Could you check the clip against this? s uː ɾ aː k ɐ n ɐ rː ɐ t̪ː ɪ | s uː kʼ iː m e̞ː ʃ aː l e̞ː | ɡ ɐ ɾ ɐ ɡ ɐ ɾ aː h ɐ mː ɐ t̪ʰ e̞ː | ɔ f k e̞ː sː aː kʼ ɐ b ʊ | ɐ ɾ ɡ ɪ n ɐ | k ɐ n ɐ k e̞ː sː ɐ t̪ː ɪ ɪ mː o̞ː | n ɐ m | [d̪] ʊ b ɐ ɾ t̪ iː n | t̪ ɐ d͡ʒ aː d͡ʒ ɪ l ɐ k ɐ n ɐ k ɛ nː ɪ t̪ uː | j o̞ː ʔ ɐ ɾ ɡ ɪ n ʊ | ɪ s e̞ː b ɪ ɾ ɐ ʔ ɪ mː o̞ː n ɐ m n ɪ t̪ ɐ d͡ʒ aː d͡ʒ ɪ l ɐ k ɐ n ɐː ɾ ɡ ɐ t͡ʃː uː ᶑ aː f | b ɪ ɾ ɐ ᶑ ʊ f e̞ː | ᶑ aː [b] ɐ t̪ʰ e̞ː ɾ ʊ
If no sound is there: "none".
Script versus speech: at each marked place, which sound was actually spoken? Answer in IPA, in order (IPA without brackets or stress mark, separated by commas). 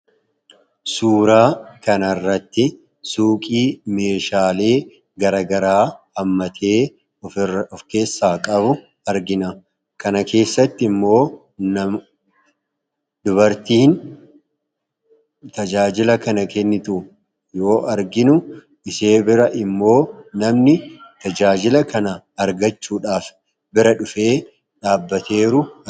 d̪, bː